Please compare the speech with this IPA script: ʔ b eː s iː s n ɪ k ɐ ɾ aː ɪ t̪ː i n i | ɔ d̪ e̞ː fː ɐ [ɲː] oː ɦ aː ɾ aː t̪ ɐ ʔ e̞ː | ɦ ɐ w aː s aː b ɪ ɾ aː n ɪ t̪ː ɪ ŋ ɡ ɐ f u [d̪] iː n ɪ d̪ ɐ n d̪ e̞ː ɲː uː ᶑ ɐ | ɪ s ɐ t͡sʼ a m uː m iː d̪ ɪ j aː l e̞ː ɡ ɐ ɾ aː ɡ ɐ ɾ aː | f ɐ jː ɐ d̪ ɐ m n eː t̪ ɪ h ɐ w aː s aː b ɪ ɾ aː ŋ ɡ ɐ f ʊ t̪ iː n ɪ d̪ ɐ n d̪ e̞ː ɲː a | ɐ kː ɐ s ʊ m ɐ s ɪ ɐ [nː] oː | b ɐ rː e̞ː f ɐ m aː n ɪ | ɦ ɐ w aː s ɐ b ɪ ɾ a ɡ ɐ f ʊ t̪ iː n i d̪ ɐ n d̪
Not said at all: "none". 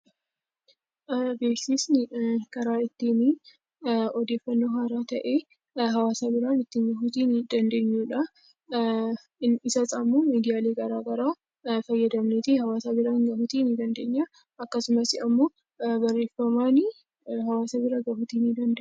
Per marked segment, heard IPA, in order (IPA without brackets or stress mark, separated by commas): nː, t̪, mː